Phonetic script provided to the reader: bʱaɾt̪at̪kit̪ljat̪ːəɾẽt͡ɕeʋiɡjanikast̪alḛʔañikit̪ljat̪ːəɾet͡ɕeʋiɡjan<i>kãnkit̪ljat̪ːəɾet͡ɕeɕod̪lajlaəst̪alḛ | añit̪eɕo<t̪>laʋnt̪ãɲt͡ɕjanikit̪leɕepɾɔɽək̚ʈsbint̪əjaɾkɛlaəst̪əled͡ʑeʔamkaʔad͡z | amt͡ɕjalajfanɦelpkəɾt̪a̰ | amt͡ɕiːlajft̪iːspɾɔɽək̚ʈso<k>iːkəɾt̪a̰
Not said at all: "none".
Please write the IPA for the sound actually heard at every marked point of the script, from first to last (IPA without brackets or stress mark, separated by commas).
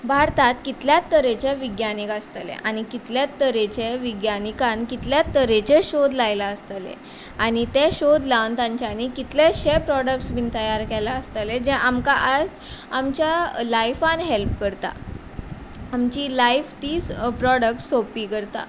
i, d̪, p